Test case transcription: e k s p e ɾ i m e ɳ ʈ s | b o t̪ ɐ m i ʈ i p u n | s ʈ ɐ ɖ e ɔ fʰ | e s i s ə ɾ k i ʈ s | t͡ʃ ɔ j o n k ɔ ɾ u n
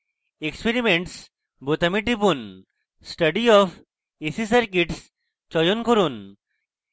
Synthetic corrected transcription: e k s p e ɾ i m e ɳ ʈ s | b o t̪ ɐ m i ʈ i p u n | s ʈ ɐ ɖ i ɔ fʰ | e s i s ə ɾ k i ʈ s | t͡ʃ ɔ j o n k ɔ ɾ u n